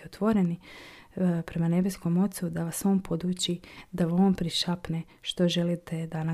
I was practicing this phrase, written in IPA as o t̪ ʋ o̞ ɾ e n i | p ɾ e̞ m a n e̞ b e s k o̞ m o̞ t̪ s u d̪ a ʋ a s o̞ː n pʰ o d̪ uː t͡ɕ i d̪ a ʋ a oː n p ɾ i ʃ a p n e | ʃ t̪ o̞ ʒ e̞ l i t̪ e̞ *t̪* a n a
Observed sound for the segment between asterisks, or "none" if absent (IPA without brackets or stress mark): d̪